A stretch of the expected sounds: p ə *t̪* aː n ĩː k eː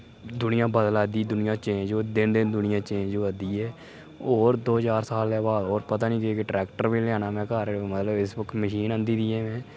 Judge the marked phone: correct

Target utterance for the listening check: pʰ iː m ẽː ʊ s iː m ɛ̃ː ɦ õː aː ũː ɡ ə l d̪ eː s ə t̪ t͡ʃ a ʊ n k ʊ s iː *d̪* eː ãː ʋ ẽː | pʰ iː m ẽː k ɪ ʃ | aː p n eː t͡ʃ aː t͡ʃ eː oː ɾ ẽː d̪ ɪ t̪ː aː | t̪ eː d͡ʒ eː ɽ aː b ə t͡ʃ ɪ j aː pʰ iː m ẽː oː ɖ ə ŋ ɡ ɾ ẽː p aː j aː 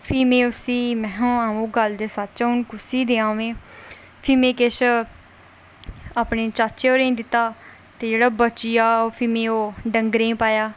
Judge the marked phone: correct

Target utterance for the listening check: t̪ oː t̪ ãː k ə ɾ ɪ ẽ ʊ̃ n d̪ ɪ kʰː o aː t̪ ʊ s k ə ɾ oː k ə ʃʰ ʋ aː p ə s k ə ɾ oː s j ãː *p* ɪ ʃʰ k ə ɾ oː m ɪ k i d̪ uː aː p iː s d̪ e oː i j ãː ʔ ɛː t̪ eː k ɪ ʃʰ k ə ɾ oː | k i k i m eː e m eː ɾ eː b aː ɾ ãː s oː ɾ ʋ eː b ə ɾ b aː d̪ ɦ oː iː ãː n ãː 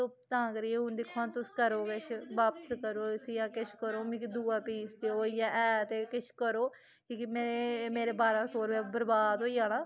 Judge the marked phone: incorrect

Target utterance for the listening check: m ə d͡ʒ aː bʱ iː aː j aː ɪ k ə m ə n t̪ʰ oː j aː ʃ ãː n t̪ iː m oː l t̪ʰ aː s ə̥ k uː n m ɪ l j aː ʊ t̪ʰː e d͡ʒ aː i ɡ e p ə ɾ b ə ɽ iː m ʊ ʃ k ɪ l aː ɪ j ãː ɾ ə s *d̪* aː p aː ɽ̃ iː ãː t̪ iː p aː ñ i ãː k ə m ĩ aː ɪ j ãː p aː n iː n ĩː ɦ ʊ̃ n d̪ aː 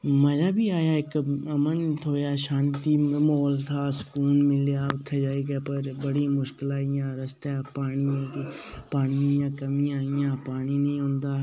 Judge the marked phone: incorrect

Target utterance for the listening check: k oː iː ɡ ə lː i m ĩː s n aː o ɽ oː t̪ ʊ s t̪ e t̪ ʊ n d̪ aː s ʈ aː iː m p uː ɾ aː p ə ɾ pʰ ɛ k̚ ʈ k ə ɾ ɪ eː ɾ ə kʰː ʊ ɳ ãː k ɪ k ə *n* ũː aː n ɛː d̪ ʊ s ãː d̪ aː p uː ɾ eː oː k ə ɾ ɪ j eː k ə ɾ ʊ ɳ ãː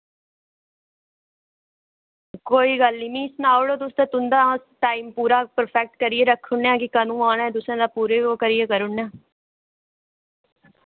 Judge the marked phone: correct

